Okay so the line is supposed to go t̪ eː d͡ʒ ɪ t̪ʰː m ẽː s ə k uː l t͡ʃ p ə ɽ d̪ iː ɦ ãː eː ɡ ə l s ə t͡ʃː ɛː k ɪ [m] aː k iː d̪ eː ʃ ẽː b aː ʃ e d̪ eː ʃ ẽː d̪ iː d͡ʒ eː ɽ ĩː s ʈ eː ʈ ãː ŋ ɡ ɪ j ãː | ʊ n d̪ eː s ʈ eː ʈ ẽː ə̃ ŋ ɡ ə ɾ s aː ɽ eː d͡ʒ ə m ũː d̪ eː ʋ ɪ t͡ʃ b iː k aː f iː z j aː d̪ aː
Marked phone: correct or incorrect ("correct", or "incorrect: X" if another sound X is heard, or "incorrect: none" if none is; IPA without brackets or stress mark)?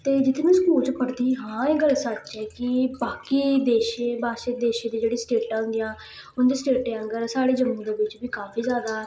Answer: incorrect: b